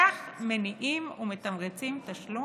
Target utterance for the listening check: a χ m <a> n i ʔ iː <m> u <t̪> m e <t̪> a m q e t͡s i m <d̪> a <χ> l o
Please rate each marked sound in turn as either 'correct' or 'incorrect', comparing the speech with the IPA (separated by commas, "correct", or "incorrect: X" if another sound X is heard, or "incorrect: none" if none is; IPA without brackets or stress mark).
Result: incorrect: e, correct, incorrect: none, correct, incorrect: t̪, incorrect: ʃ